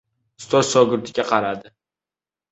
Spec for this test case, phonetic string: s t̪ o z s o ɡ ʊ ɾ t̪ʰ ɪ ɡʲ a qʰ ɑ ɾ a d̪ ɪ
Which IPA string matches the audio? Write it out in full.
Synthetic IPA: s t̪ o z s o ɡ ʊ ɾ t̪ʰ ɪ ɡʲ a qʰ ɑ ɾ a d̪ ɪ